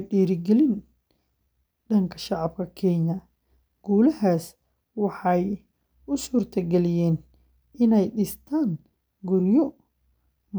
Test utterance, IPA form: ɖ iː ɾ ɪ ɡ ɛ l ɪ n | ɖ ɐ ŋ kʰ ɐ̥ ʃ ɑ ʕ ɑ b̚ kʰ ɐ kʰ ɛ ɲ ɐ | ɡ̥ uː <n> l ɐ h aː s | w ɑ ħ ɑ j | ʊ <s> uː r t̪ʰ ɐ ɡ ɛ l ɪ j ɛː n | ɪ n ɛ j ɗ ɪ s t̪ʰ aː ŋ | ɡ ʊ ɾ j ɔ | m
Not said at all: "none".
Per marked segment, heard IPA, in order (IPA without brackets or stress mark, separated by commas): none, s